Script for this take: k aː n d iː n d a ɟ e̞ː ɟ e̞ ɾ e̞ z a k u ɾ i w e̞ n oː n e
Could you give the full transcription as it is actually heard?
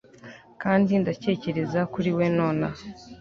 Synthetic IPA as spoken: k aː n d i n d a c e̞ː c e̞ ɾ e̞ z a k u ɾ i w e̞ n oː n a